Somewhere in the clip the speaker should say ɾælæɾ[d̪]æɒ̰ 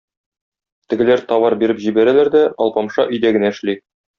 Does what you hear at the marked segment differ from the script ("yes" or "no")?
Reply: no